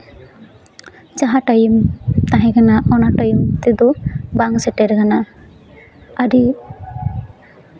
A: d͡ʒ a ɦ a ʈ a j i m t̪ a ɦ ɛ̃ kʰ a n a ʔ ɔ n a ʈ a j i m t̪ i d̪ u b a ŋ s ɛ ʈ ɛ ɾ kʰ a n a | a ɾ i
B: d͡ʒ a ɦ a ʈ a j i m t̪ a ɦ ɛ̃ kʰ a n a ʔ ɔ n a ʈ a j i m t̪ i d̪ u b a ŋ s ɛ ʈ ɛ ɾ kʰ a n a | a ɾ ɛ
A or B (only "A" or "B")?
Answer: A